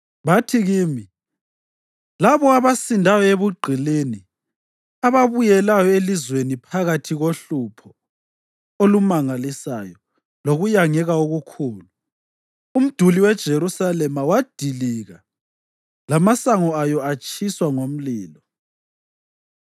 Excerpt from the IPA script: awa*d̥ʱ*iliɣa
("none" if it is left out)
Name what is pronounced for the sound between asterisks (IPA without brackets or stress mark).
d̥ʱ